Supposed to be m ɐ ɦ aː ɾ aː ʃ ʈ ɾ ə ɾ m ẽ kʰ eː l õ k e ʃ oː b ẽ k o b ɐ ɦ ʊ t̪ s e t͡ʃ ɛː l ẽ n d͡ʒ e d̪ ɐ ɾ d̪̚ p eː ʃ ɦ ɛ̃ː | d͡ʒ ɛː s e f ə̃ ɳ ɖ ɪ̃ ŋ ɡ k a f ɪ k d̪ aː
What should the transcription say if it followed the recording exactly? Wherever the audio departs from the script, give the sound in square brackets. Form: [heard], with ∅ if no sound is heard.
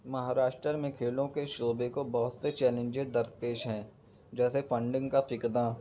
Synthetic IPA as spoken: m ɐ ɦ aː ɾ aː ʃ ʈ ɾ ə ɾ m ẽ kʰ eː l õ k e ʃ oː b [e] k o b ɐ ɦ ʊ t̪ s e t͡ʃ ɛː l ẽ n d͡ʒ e d̪ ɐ ɾ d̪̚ p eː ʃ ɦ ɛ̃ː | d͡ʒ ɛː s e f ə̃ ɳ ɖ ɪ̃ ŋ ɡ k a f ɪ k d̪ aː